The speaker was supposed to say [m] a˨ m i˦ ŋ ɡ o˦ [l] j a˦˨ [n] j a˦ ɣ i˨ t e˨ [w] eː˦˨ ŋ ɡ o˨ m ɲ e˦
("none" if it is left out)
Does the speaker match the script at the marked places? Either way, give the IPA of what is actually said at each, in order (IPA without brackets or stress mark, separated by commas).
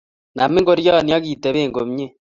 n, ɾ, n, β